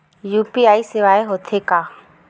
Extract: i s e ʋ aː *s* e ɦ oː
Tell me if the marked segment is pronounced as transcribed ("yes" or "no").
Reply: no